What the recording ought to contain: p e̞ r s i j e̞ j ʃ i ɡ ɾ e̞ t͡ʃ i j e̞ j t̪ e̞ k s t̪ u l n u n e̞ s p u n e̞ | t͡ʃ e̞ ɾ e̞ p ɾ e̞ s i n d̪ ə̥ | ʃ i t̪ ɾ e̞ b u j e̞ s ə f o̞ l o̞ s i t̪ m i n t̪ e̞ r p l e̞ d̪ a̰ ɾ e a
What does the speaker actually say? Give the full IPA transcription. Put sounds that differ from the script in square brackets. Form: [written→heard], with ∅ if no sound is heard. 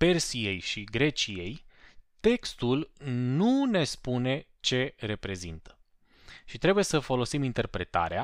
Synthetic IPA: p e̞ r s i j e̞ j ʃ i ɡ ɾ e̞ t͡ʃ i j e̞ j t̪ e̞ k s t̪ u l n u n e̞ s p u n e̞ | t͡ʃ e̞ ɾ e̞ p ɾ e̞ [s→z] i n [d̪→t̪] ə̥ | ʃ i t̪ ɾ e̞ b u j e̞ s ə f o̞ l o̞ s i [t̪→∅] m i n t̪ e̞ r p [l→ɾ] e̞ [d̪→t̪] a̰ ɾ e a